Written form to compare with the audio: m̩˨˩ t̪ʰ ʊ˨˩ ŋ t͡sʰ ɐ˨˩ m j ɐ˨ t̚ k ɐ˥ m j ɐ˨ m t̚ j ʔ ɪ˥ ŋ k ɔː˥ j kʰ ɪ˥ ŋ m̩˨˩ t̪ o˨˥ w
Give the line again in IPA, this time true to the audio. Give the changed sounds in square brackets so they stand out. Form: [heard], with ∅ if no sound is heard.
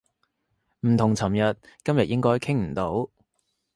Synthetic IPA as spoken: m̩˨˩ t̪ʰ ʊ˨˩ ŋ t͡sʰ ɐ˨˩ m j ɐ˨ t̚ k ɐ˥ m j ɐ˨ [∅] t̚ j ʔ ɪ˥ ŋ k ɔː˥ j kʰ ɪ˥ ŋ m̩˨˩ t̪ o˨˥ w